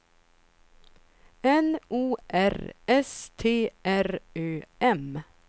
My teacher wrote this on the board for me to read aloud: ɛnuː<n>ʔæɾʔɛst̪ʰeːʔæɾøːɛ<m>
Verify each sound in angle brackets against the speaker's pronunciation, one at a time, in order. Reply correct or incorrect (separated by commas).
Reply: incorrect, correct